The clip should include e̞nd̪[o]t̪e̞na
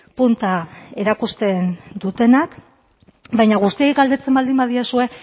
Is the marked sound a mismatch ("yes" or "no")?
yes